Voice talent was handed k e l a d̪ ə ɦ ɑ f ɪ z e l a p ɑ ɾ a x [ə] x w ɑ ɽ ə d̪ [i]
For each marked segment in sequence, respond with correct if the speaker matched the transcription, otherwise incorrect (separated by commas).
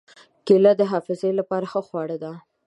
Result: correct, incorrect